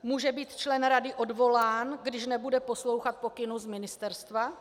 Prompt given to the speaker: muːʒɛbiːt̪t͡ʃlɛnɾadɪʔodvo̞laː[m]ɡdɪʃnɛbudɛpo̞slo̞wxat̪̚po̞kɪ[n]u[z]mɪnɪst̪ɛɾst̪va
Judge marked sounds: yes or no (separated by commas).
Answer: no, yes, yes